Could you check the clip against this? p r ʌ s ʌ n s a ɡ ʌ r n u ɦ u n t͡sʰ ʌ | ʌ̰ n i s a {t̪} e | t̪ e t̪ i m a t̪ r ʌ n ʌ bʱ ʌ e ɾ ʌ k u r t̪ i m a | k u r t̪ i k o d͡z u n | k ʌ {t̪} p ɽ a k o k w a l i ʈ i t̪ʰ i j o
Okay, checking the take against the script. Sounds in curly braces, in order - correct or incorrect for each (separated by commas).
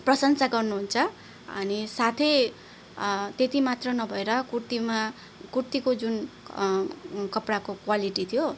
incorrect, incorrect